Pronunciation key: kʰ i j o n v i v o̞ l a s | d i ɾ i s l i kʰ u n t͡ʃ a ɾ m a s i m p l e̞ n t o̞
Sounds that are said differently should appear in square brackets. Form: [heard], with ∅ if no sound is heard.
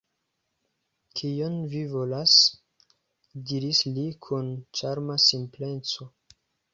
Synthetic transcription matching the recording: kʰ i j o n v i v o̞ l a s | d i ɾ i s l i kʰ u n t͡ʃ a ɾ m a s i m p l e̞ n [t͡s] o̞